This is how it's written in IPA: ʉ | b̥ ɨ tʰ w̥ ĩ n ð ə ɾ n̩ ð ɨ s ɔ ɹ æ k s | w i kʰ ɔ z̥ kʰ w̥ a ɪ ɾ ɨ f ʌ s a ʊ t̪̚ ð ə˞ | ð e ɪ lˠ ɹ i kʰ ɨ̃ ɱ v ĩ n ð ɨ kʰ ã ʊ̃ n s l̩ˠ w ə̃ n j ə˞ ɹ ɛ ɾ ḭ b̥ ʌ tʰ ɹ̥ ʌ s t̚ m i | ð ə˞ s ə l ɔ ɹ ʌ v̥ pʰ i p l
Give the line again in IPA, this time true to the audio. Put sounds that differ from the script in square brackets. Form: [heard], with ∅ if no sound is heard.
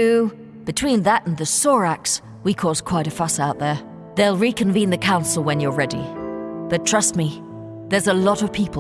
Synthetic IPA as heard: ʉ | b̥ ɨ tʰ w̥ ĩ n ð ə ɾ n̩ ð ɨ s ɔ ɹ æ k s | w i kʰ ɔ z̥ kʰ w̥ a ɪ ɾ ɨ f ʌ s a ʊ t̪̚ ð ə˞ | ð e ɪ lˠ ɹ i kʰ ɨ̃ ɱ v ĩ n ð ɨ kʰ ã ʊ̃ n s l̩ˠ w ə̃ n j ə˞ ɹ ɛ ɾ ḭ b̥ ʌ tʰ ɹ̥ ʌ s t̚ m i | ð ə˞ [z] ə l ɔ [ɾ] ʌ v̥ pʰ i p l